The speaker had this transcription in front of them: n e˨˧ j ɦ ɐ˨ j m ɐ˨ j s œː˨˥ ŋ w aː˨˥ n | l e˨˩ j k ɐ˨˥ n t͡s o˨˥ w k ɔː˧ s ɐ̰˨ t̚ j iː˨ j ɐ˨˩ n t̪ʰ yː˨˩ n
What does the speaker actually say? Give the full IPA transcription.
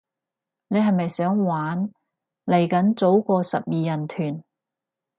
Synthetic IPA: n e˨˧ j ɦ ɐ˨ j m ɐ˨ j s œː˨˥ ŋ w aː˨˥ n | l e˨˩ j k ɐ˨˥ n t͡s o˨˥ w k ɔː˧ s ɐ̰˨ p̚ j iː˨ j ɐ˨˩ n t̪ʰ yː˨˩ n